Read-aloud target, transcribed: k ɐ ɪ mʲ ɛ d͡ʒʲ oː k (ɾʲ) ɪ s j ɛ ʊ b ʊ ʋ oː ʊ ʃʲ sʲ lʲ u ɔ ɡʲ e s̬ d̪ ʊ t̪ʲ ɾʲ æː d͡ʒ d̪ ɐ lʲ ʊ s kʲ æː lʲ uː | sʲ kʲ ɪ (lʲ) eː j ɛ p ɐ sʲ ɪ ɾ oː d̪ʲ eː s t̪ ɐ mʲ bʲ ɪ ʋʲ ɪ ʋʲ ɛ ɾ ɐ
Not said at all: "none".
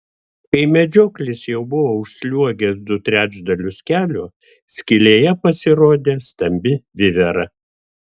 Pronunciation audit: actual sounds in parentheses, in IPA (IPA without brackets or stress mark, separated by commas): lʲ, lʲ